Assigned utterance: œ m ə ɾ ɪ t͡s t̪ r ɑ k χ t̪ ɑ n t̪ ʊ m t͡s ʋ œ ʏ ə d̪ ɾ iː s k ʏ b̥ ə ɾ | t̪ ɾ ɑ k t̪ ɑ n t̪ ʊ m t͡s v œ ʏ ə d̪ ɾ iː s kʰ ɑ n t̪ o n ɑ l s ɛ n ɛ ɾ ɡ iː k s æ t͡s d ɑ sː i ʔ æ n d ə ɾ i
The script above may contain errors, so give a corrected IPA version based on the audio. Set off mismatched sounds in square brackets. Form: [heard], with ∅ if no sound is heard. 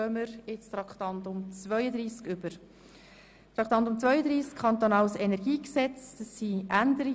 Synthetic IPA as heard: œ m ə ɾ ɪ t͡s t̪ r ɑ k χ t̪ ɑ n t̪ ʊ m t͡s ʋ œ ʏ ə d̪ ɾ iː s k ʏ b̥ ə ɾ | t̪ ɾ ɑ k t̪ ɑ n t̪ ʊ m t͡s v œ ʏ ə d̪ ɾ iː s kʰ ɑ n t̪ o n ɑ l s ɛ n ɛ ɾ ɡ iː k s [ɛ] t͡s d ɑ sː i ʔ æ n d ə ɾ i